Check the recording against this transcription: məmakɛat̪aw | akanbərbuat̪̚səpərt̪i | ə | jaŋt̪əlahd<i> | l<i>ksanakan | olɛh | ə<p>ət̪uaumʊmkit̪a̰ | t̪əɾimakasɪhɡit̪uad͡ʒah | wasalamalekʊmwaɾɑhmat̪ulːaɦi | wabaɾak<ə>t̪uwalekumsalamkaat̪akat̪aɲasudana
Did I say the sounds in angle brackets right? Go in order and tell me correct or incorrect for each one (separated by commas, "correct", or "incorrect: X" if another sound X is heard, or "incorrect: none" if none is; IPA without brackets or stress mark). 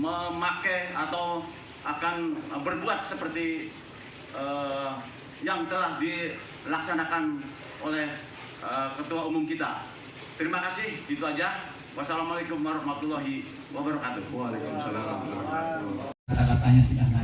correct, incorrect: a, incorrect: k, incorrect: a